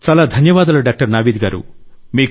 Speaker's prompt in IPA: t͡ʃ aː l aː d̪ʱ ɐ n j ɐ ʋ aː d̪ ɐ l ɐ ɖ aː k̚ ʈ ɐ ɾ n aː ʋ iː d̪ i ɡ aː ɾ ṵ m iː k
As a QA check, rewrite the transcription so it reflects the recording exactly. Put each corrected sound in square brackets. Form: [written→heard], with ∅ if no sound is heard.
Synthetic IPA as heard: t͡ʃ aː l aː d̪ʱ ɐ n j ɐ ʋ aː d̪ ɐ l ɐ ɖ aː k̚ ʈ ɐ ɾ n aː ʋ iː d̪ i ɡ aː ɾ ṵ m iː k